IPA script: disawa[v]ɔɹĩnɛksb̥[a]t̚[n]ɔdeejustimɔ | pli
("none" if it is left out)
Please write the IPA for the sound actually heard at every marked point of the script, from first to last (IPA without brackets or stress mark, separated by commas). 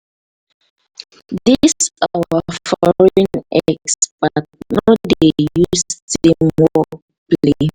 f, a, n